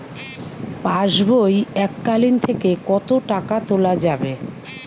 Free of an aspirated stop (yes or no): no